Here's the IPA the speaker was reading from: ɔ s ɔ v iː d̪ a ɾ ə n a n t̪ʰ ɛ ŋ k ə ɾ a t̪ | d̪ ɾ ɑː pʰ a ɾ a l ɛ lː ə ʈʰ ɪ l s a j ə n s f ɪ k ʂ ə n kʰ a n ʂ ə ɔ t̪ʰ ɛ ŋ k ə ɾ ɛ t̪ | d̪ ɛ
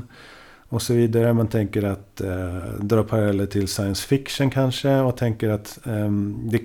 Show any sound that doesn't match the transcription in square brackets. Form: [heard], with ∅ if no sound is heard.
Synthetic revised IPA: ɔ s ɔ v iː d̪ a ɾ ə [m] a n t̪ʰ ɛ ŋ k ə ɾ a t̪ | d̪ ɾ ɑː pʰ a ɾ a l ɛ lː ə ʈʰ ɪ l s a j ə n s f ɪ k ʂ ə n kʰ a n ʂ ə ɔ t̪ʰ ɛ ŋ k ə ɾ [a] t̪ | d̪ ɛ